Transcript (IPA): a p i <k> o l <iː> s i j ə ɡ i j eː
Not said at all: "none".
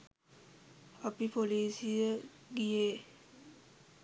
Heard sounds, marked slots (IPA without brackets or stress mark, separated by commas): p, iː